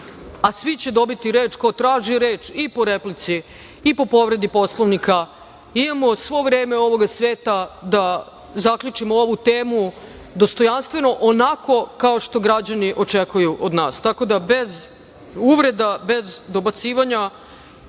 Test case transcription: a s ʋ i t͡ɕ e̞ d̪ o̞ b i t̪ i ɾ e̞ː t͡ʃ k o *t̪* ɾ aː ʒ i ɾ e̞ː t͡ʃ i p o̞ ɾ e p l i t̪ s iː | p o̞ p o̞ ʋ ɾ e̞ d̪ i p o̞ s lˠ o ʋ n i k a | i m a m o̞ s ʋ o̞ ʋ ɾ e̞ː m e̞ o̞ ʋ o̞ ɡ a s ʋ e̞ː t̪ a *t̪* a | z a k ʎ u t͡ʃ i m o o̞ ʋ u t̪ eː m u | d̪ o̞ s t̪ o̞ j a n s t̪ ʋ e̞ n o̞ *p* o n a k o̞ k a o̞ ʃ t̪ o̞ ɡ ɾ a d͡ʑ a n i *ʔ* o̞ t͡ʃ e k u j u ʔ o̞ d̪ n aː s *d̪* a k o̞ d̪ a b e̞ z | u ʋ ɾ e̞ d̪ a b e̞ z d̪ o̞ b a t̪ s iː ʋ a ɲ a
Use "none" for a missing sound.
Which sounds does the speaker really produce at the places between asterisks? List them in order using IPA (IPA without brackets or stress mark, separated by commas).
t̪, d̪, ʔ, ʔ, t̪